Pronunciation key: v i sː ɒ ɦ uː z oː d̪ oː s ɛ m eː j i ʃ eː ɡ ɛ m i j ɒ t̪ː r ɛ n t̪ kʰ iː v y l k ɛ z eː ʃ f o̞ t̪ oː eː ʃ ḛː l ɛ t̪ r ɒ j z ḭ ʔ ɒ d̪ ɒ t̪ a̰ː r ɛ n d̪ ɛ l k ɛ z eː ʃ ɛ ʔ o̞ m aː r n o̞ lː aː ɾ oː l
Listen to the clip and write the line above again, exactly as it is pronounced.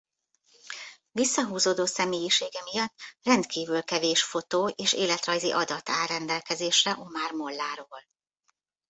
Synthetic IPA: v i sː ɒ ɦ uː z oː d̪ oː s ɛ m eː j i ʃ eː ɡ ɛ m i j ɒ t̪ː r ɛ n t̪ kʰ iː v y l k ɛ v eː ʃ f o̞ t̪ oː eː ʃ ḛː l ɛ t̪ r ɒ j z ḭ ʔ ɒ d̪ ɒ t̪ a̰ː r ɛ n d̪ ɛ l k ɛ z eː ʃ ɛ ʔ o̞ m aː r m o̞ lː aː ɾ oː l